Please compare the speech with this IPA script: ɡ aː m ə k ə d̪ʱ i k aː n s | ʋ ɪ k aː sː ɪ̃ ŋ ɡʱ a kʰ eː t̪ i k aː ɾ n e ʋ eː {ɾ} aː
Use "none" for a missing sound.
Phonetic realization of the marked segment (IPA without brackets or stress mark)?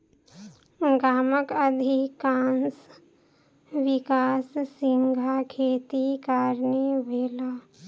l